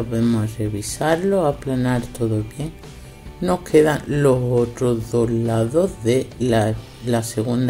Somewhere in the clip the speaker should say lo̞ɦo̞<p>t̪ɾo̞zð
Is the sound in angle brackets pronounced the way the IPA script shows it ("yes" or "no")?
no